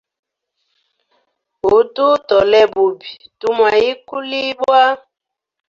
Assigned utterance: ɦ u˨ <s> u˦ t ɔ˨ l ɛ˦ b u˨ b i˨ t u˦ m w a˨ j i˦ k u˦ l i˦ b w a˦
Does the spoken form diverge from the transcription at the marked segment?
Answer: yes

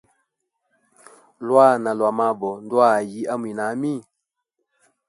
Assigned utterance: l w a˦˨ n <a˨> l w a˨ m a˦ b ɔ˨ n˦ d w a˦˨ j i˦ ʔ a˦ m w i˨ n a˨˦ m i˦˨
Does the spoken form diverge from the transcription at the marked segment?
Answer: no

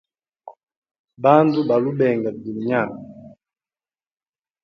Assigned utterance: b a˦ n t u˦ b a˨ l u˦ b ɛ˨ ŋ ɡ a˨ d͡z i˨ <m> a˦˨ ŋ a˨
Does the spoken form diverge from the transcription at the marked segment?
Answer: yes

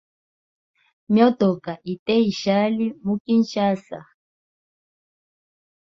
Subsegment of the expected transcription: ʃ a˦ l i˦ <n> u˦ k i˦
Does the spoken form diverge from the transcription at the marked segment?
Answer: yes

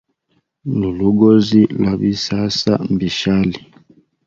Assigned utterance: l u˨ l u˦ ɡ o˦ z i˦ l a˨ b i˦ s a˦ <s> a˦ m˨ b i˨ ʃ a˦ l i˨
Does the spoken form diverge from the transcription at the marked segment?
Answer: no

